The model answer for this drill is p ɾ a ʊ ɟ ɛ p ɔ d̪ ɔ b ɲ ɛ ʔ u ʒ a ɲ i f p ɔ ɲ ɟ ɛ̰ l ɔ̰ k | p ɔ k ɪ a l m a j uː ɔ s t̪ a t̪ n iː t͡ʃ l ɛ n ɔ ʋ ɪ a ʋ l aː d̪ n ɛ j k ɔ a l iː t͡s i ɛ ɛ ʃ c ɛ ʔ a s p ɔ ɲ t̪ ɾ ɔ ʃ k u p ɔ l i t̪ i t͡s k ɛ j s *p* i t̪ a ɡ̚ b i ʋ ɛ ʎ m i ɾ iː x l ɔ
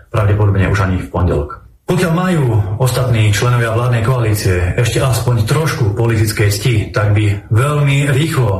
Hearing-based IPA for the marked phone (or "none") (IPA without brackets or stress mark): c